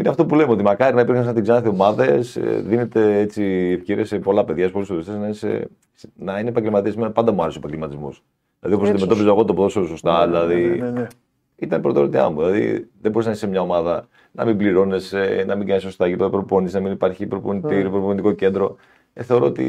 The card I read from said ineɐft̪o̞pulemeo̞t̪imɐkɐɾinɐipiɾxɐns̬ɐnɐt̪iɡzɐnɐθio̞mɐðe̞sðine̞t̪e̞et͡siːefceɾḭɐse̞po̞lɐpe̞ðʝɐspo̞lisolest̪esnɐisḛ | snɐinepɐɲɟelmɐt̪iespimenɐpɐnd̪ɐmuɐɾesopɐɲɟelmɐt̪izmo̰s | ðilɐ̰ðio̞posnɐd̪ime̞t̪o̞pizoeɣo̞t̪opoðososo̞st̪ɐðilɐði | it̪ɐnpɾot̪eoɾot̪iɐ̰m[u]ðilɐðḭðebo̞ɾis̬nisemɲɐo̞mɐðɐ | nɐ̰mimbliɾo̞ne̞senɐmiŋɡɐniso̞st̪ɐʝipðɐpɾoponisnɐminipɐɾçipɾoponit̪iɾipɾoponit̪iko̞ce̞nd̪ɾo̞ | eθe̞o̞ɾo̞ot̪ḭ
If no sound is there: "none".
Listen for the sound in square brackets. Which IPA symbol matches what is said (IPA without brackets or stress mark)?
u